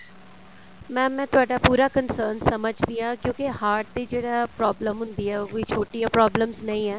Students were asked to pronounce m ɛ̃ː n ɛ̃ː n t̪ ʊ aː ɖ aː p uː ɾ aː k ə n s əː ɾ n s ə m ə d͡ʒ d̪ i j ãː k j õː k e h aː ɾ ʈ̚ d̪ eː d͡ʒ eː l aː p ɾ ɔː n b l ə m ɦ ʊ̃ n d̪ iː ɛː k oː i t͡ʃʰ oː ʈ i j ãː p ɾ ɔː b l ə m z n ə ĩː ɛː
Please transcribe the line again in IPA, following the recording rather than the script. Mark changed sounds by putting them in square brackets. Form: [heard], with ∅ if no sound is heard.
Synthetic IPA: m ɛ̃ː [m] ɛ̃ː [∅] t̪ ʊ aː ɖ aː p uː ɾ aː k ə n s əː ɾ n s ə m ə d͡ʒ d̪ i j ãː k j õː k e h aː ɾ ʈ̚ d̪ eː d͡ʒ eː [ɽ] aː p ɾ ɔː [∅] b l ə m ɦ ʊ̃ n d̪ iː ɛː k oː i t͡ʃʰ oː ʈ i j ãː p ɾ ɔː b l ə m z n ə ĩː ɛː